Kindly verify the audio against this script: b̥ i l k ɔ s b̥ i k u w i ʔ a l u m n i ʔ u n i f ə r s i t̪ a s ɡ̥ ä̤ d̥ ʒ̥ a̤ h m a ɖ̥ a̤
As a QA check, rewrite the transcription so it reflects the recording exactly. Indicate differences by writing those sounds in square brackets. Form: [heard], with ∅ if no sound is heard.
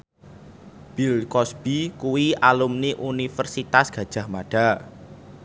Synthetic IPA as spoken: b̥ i l k ɔ s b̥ i k u w i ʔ a l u m n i ʔ u n i f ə r s i t̪ a s ɡ̥ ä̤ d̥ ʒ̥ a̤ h m a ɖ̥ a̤